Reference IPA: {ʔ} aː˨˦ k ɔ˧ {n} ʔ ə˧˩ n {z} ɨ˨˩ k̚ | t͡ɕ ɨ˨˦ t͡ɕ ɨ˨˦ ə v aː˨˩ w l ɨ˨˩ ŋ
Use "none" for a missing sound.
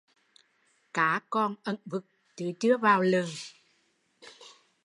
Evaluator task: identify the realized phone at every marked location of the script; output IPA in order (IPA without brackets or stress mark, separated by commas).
k, n, v